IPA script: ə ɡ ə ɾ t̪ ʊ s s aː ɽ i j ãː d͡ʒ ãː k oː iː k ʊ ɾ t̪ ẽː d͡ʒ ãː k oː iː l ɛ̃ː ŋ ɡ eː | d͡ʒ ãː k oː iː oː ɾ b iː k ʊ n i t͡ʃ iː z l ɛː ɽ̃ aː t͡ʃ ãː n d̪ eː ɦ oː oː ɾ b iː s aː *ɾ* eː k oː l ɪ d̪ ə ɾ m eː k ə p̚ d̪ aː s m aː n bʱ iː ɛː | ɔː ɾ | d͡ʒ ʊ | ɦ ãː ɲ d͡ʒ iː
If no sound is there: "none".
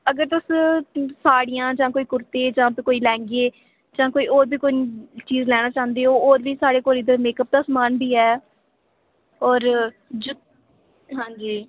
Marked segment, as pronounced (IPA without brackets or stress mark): ɽ